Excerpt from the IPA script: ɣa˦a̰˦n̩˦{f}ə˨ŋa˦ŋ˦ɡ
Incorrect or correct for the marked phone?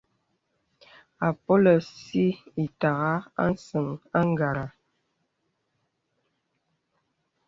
incorrect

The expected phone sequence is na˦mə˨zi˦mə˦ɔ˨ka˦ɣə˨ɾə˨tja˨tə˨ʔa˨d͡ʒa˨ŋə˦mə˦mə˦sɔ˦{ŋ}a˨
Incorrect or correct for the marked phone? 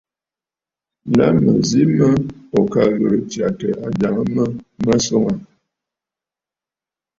correct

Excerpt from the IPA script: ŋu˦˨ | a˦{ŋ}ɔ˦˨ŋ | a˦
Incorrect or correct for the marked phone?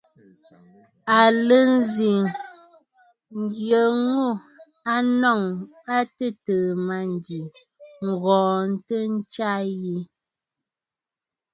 incorrect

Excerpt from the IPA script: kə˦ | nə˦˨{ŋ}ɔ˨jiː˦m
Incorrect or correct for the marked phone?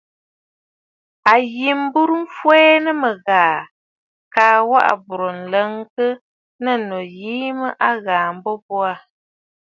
incorrect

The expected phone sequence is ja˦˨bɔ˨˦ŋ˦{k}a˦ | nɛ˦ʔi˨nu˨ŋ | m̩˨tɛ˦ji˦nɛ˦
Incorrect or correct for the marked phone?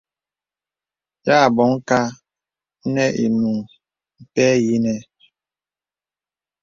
correct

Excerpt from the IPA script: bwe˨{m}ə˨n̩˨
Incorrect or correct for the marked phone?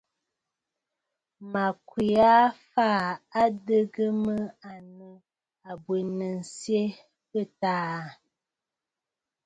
incorrect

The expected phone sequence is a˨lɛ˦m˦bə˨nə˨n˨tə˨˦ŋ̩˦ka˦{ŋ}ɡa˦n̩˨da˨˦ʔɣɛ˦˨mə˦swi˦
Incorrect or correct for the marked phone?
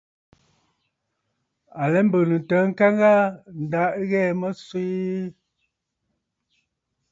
correct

